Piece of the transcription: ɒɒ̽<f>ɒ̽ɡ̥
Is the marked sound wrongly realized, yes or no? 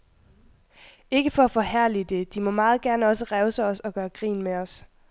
yes